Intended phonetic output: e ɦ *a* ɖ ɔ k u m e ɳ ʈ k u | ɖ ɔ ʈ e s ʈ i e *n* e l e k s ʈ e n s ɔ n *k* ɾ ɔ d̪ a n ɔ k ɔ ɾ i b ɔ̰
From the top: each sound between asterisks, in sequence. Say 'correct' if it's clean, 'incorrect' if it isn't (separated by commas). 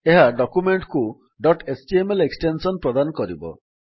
correct, incorrect, incorrect